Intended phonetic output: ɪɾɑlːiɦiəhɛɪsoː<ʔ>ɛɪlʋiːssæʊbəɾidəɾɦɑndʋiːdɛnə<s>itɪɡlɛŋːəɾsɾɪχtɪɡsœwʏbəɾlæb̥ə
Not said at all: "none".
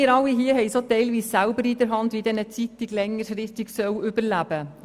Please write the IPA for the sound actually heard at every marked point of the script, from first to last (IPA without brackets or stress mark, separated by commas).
t, t͡s